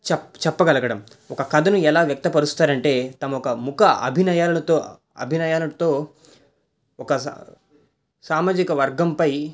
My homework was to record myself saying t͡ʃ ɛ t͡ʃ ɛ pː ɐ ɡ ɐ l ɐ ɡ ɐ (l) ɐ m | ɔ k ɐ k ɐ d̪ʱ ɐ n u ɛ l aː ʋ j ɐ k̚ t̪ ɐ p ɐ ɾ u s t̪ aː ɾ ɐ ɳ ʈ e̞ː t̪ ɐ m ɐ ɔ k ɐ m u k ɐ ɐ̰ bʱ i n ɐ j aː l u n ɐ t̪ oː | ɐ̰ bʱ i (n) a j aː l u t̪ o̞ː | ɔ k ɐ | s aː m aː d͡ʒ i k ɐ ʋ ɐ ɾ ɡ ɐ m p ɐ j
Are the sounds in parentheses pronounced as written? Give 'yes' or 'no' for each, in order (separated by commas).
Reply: no, yes